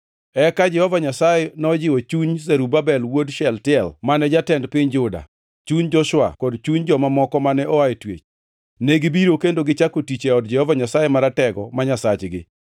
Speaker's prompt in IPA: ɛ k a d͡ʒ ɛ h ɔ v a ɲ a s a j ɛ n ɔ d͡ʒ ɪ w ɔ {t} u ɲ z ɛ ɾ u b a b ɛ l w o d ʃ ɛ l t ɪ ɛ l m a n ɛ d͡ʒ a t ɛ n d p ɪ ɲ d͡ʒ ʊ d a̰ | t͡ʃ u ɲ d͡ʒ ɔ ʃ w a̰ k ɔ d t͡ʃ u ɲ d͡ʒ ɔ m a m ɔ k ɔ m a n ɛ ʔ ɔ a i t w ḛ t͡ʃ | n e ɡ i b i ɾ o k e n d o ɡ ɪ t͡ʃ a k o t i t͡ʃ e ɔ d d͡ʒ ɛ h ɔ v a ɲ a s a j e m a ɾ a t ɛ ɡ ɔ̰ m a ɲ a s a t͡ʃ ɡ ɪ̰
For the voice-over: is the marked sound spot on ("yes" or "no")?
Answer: no